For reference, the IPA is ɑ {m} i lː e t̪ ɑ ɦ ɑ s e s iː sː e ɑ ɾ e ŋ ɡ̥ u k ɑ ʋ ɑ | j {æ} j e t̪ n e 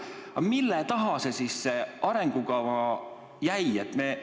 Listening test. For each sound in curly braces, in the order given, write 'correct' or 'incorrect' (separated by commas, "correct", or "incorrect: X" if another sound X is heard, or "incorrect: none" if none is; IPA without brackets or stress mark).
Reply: correct, correct